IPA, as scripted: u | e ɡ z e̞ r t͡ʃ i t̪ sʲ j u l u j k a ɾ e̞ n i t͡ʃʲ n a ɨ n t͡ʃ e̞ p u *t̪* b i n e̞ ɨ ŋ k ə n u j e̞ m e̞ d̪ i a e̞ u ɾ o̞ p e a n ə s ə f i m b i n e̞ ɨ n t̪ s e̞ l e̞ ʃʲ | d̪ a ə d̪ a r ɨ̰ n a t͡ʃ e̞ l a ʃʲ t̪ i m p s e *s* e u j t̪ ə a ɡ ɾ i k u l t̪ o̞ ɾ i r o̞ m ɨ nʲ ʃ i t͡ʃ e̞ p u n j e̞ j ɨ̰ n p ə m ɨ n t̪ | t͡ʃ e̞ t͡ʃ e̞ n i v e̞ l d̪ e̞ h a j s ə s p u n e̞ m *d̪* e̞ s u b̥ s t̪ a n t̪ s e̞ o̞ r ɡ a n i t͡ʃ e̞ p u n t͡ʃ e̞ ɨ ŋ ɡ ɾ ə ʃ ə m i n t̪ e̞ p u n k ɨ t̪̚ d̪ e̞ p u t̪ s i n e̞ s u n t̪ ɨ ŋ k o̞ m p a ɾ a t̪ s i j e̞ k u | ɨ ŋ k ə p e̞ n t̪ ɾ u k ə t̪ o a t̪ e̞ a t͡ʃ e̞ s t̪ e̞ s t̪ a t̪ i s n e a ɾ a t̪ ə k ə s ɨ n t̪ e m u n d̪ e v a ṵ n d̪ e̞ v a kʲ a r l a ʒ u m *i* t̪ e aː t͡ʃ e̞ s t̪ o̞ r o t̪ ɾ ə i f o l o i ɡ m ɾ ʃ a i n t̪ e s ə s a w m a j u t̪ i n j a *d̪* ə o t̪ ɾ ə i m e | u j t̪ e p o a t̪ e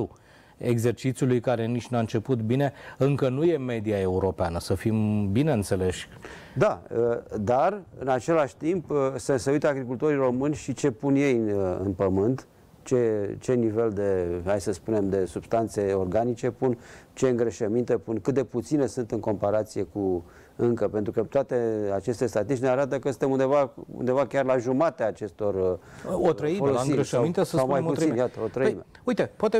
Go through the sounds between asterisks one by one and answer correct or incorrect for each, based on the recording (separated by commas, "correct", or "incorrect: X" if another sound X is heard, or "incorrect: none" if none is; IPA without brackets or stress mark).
correct, correct, correct, incorrect: a, incorrect: t̪